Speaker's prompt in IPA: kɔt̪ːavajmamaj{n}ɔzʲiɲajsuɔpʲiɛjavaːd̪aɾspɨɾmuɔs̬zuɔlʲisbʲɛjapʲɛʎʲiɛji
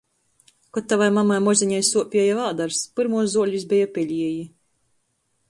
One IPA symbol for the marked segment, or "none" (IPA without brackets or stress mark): m